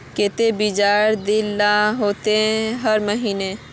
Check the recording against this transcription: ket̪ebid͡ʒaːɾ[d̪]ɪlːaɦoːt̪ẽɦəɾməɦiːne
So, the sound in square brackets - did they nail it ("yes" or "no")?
yes